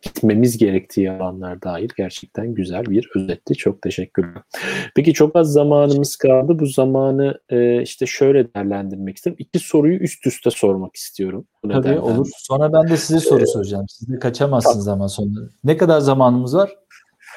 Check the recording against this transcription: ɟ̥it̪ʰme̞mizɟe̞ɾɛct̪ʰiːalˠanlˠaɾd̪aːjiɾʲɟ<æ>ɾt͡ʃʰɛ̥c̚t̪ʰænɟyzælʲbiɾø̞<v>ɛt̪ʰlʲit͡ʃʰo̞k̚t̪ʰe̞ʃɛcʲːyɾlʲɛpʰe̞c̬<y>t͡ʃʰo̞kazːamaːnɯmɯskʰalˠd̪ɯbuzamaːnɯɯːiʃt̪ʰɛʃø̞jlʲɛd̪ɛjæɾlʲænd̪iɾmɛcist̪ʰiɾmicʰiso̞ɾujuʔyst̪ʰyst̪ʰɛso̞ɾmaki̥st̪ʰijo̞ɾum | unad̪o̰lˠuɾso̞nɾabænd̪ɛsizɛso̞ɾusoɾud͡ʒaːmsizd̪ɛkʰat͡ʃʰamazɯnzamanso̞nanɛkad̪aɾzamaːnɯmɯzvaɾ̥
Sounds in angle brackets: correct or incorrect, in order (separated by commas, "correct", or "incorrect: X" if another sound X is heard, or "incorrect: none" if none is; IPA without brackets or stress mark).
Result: correct, incorrect: z, incorrect: i